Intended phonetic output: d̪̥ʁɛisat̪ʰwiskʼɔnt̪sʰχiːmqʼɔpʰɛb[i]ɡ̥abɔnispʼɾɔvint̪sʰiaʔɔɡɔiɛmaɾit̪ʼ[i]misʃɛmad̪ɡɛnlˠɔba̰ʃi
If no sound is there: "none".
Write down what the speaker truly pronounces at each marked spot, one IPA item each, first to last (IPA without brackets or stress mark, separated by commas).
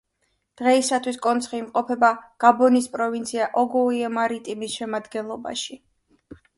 a, i